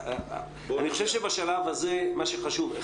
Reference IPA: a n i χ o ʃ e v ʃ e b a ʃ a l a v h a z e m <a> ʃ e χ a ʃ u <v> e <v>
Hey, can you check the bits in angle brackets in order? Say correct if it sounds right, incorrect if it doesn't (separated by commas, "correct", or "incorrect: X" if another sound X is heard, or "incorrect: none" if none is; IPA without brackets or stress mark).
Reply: correct, correct, incorrect: none